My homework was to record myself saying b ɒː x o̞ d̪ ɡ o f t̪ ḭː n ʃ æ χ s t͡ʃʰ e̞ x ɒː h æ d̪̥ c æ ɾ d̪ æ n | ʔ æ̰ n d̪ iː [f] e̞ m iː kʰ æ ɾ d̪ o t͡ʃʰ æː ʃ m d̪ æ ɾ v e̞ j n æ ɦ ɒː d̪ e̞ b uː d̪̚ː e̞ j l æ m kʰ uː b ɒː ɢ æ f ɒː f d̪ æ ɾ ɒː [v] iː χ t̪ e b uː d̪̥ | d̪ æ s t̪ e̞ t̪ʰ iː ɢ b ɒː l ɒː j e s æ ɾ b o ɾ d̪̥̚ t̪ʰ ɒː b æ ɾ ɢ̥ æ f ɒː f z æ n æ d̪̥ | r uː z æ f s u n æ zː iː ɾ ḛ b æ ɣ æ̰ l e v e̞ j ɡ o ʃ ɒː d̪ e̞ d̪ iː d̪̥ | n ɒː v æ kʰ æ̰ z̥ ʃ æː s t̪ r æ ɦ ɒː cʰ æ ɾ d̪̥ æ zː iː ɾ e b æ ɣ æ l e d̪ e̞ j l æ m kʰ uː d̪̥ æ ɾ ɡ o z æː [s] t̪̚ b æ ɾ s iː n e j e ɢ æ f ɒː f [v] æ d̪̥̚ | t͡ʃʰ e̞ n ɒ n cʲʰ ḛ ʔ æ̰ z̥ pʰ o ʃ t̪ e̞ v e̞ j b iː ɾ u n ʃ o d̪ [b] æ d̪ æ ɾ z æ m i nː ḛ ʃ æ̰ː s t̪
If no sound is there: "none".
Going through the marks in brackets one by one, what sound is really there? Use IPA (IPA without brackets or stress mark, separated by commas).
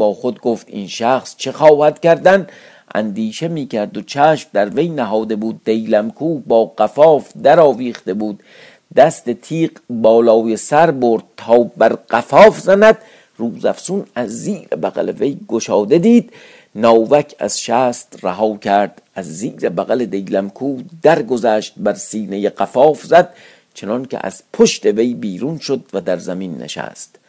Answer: ʃ, v, ʃ, z, v